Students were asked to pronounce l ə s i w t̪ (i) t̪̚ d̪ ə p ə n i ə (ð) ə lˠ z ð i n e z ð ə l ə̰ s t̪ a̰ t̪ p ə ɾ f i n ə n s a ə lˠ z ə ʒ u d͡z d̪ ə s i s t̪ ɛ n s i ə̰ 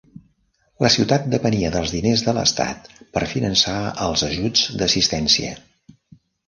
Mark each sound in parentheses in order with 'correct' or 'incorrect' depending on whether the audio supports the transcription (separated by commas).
incorrect, correct